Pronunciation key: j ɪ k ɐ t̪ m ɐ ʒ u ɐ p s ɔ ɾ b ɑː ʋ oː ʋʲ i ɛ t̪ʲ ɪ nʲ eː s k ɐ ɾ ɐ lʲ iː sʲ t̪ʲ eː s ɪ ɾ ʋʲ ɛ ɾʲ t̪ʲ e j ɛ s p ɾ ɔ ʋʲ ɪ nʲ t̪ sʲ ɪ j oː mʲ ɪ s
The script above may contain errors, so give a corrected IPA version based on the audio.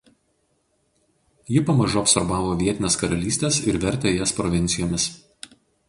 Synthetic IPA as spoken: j ɪ p ɐ m ɐ ʒ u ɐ p s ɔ ɾ b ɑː ʋ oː ʋʲ i ɛ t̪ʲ ɪ nʲ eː s k ɐ ɾ ɐ lʲ iː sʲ t̪ʲ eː s ɪ ɾ ʋʲ ɛ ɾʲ t̪ʲ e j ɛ s p ɾ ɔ ʋʲ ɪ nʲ t̪ sʲ ɪ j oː mʲ ɪ s